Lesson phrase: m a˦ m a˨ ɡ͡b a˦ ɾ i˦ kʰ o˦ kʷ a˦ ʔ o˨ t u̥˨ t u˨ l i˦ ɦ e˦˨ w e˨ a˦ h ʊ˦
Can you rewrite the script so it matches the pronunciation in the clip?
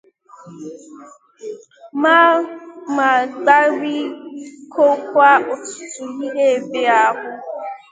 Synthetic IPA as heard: m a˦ m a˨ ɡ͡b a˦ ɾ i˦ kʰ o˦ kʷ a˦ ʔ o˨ t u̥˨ t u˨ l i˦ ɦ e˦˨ b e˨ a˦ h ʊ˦